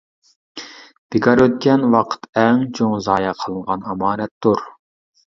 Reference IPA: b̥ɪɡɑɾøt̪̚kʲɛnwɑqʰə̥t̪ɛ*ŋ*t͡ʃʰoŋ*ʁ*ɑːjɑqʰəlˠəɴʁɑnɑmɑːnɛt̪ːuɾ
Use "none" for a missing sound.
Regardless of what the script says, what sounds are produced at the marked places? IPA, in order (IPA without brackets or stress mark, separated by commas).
ŋ, z